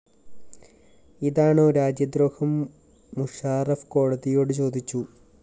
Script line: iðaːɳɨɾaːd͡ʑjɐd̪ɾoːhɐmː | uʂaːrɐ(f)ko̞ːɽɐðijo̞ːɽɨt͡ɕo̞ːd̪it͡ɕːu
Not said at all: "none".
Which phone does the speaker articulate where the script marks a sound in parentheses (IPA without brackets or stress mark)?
f